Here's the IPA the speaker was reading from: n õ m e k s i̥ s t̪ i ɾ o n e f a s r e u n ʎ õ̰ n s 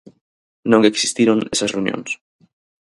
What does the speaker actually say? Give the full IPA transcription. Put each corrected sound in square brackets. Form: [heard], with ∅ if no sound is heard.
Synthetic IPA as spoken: n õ [ŋ] e k s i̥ s t̪ i ɾ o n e [s] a s r e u n [j] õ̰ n s